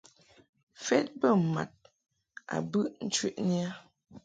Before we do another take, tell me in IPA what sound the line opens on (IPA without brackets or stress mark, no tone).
f